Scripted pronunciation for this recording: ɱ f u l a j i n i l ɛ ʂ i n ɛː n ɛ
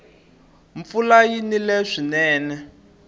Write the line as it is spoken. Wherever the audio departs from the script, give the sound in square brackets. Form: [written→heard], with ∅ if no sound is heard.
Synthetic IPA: ɱ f u l a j i n i l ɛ ʂ i n ɛː n ɛ